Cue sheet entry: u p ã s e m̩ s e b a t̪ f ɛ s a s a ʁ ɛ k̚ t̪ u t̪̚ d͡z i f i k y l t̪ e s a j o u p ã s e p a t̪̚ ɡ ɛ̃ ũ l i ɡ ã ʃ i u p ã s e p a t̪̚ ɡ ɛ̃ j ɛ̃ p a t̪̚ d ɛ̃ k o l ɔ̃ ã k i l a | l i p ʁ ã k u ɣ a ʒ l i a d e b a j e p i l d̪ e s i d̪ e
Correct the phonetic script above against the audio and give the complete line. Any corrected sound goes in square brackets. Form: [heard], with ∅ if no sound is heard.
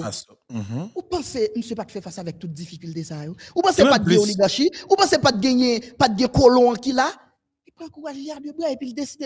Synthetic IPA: u p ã s e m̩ s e [p] a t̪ f ɛ [f] a s a [v] ɛ k̚ t̪ u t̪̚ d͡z i f i k y l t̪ e s a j o u p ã s e p a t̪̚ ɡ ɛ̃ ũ l i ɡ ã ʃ i u p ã s e p a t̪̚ ɡ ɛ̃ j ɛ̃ p a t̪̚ [ɡ] ɛ̃ k o l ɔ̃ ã k i l a | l i p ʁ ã k u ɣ a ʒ l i a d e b a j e p i l d̪ e s i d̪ e